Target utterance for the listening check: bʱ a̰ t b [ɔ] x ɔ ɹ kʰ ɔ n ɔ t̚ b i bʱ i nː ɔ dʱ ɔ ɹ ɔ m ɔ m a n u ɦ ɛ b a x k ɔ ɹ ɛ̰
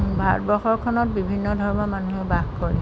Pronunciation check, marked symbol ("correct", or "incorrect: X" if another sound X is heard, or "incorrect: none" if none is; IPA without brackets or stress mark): correct